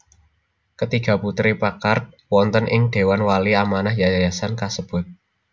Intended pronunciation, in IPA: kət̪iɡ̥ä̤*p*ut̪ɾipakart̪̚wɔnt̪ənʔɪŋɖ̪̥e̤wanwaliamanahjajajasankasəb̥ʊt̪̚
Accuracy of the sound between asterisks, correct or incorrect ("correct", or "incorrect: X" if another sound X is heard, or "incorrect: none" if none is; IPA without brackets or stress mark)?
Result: correct